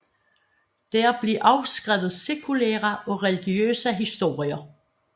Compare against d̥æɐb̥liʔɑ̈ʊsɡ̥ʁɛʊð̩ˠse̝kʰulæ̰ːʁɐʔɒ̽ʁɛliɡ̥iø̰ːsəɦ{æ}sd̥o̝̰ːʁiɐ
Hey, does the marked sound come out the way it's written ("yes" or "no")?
no